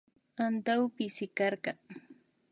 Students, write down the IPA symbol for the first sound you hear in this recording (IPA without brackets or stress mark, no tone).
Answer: a